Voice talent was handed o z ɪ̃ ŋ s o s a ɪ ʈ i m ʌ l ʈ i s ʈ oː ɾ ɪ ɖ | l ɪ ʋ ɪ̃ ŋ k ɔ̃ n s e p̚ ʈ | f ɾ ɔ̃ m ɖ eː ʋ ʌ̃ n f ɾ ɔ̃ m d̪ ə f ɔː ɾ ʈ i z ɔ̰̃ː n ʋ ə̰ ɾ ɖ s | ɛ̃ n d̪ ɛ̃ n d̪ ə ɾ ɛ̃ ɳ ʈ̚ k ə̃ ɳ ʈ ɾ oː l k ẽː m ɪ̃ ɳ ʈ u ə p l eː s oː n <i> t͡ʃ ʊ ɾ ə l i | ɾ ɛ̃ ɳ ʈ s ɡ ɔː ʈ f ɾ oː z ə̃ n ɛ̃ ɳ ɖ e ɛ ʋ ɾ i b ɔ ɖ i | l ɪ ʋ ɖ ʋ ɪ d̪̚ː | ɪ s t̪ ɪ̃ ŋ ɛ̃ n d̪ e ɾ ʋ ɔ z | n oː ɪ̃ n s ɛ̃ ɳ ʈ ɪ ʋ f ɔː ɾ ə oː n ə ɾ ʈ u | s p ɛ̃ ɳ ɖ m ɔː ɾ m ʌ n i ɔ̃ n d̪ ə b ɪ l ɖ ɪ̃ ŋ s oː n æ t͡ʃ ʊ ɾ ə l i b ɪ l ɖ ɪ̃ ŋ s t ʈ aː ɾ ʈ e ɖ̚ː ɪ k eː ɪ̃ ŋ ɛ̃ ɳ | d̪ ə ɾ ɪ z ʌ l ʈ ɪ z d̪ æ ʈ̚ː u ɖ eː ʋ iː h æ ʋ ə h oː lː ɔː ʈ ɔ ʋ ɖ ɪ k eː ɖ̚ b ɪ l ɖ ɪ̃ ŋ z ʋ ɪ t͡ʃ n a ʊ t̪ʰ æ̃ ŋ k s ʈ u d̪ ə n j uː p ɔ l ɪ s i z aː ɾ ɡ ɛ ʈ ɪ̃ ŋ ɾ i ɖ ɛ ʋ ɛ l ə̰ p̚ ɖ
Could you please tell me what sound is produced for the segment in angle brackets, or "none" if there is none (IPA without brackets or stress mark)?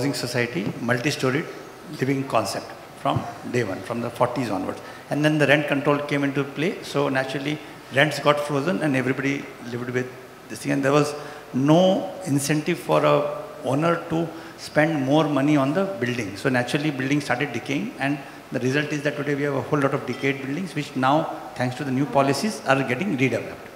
æ